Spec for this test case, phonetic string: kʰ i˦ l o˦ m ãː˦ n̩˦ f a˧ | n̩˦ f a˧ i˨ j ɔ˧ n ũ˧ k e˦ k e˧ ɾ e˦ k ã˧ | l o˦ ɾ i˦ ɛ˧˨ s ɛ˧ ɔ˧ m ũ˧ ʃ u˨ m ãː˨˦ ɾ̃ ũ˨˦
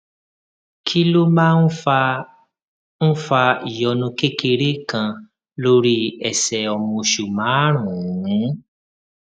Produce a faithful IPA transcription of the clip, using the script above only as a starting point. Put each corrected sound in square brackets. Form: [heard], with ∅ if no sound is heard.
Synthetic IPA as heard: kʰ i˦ l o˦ m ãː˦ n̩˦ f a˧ | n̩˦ f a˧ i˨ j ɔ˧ n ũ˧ k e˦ k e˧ ɾ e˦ k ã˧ | l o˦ ɾ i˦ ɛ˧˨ s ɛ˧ ɔ˧ m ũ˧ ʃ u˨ m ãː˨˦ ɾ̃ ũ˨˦